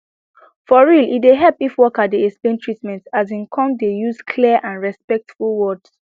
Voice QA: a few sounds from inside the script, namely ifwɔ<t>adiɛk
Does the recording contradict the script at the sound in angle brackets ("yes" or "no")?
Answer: yes